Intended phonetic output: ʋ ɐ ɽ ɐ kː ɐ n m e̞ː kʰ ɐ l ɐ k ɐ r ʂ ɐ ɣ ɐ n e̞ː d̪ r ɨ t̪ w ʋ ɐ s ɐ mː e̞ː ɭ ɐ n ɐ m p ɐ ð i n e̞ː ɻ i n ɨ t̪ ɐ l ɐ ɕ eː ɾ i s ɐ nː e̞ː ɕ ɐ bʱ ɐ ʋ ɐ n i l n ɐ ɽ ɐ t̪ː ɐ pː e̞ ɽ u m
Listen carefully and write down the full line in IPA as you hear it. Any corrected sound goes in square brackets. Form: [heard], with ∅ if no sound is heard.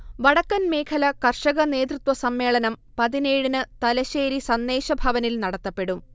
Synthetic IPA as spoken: ʋ ɐ ɽ ɐ kː ɐ n m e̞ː kʰ ɐ l ɐ k ɐ r ʂ ɐ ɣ ɐ n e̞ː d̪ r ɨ t̪ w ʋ ɐ s ɐ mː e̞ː ɭ ɐ n ɐ m p ɐ ð i n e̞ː ɻ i n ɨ t̪ ɐ l ɐ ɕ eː ɾ i s ɐ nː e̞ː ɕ ɐ bʱ ɐ ʋ ɐ n i l n ɐ ɽ ɐ t̪ː ɐ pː e̞ ɽ u m